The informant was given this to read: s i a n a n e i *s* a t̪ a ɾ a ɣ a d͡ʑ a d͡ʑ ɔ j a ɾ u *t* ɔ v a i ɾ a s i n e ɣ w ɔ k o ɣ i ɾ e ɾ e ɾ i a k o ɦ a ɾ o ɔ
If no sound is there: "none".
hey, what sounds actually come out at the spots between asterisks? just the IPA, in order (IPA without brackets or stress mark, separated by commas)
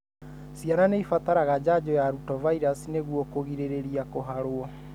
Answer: f, t